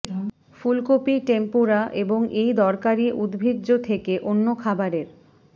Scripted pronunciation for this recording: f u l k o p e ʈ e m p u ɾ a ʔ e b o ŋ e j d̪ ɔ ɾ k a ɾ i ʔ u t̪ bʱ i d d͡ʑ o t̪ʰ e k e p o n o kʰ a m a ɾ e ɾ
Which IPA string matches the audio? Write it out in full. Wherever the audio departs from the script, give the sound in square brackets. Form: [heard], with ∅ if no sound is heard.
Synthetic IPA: f u l k o p [i] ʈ e m p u ɾ a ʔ e b o ŋ e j d̪ ɔ ɾ k a ɾ i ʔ u [d̪] bʱ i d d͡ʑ o t̪ʰ e k e [ʔ] o [nː] o kʰ a [b] a ɾ e ɾ